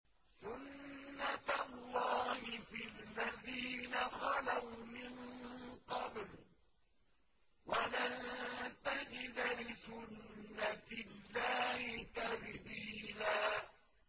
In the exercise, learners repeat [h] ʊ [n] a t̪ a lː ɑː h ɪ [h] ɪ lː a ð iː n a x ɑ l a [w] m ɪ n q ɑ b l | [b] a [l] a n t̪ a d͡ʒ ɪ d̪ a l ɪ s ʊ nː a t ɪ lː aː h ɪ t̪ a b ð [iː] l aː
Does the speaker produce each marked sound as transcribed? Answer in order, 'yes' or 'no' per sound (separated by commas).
no, no, no, yes, no, yes, yes